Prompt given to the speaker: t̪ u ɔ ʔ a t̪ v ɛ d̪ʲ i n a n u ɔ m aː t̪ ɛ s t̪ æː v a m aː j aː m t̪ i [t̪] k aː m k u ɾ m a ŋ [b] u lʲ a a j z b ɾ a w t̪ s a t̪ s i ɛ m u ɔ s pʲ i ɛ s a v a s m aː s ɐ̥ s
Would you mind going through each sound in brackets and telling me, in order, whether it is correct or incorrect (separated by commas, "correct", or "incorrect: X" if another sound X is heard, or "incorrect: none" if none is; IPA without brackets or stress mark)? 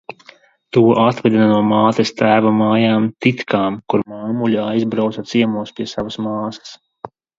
correct, incorrect: m